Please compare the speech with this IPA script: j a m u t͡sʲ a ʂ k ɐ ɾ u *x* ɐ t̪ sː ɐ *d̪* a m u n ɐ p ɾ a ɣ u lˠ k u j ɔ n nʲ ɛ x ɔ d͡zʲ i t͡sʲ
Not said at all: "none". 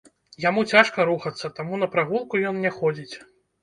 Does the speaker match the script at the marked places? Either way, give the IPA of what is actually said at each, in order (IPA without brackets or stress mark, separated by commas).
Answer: x, t̪